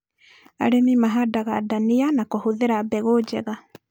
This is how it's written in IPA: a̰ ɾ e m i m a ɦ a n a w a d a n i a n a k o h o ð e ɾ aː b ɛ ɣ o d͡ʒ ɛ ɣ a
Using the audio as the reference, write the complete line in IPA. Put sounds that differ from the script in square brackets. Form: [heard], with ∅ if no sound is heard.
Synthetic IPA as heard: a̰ ɾ e m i m a ɦ a [d] a [ɣ] a d a n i a n a k o h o ð e ɾ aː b ɛ ɣ o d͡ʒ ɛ ɣ a